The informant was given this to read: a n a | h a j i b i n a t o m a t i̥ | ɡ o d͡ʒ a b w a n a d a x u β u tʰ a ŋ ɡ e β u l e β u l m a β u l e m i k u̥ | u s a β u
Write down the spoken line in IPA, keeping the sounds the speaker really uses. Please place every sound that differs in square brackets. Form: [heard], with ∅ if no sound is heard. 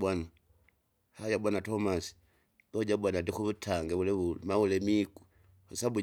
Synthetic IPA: a n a | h a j [a] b [a] n a t o m a [s] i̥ | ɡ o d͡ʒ a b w a n a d [i] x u β u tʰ a ŋ ɡ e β u l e β u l m a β u l e m i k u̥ | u s a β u